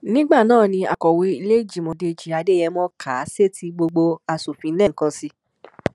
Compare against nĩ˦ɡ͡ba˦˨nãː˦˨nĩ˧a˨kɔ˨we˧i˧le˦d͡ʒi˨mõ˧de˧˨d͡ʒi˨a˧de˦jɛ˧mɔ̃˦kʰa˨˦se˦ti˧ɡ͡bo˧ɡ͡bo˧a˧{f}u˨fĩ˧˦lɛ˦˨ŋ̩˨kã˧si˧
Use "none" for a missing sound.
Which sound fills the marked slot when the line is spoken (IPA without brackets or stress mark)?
s